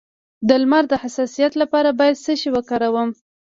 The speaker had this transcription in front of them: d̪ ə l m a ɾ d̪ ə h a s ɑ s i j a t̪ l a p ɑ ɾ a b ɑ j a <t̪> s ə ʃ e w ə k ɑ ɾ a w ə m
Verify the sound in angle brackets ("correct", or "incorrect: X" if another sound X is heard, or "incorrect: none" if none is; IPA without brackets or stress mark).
incorrect: d̪